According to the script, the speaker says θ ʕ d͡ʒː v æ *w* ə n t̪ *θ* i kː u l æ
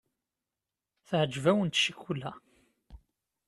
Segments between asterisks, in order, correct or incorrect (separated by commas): correct, incorrect